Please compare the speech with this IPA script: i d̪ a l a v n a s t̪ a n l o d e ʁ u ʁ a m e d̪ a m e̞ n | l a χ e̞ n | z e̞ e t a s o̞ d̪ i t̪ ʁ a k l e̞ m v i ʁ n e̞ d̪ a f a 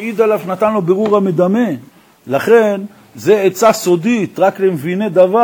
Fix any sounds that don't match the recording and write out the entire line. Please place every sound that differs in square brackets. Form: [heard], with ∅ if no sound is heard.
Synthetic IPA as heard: i d̪ a l a v n a [∅] t̪ a n l o [b] e ʁ u ʁ a m e d̪ a m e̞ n | l a χ e̞ n | z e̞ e [t͡s] a s o̞ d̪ i t̪ ʁ a k l e̞ m v i [∅] n e̞ d̪ a [v] a